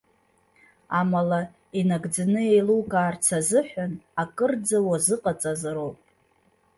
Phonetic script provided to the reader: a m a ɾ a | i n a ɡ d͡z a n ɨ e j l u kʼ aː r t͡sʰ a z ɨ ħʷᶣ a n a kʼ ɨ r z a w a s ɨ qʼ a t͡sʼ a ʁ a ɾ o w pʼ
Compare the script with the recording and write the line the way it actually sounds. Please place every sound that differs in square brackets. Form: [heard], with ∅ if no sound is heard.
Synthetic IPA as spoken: a m a [l] a | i n a ɡ d͡z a n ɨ e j l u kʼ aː r t͡sʰ a z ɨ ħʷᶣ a n a kʼ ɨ r [d͡z] a w a [z] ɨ qʼ a t͡sʼ a [z] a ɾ o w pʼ